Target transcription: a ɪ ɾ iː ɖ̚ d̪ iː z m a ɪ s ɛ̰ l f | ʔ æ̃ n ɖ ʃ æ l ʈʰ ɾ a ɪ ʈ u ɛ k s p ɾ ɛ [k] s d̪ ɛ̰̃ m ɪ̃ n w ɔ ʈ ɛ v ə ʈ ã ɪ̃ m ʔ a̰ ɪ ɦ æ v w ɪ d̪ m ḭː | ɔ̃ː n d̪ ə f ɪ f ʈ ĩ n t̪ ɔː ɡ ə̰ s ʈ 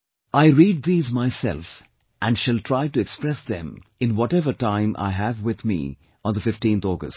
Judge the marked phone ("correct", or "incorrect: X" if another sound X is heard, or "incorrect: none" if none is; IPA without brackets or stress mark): incorrect: none